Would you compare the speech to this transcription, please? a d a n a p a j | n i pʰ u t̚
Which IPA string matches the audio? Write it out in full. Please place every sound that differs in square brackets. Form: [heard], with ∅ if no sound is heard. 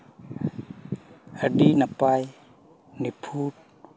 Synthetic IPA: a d [i] n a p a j | n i pʰ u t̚